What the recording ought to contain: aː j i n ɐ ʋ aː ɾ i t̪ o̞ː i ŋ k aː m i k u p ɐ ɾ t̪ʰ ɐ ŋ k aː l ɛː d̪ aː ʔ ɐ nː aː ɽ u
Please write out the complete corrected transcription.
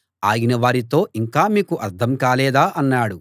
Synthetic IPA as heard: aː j i n ɐ ʋ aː ɾ i t̪ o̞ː i ŋ k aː m iː k u ʔ ɐ ɾ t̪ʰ ɐ m k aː l ɛː d̪ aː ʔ ɐ nː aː ɽ u